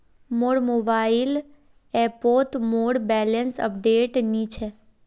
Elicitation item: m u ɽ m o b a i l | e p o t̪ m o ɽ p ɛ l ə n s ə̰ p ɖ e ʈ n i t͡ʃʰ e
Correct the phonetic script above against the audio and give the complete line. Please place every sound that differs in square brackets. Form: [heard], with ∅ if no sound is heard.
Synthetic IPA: m [o] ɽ m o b a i l | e p o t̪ m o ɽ [b] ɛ l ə n s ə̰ p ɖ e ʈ n i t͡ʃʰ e